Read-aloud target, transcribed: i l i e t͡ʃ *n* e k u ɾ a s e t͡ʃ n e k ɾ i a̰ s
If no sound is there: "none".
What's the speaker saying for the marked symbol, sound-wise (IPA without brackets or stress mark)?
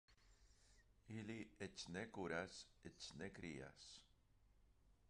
n